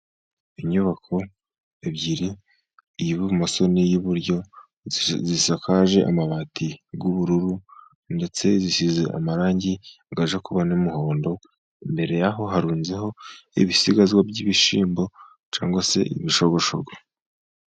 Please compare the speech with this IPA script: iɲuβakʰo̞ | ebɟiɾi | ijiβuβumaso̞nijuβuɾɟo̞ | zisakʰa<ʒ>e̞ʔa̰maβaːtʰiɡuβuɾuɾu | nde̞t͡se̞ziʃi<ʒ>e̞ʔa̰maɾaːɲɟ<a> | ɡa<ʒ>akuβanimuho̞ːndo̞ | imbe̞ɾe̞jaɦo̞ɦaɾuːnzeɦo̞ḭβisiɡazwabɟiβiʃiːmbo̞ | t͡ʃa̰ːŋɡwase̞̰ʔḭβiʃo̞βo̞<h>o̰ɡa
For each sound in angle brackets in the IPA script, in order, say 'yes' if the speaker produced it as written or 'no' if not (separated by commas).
yes, no, no, yes, no